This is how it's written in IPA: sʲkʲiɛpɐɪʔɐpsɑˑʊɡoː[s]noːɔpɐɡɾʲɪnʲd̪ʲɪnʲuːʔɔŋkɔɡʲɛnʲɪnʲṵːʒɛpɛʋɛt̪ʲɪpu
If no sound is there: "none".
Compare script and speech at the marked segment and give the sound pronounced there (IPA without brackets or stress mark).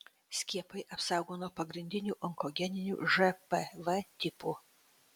none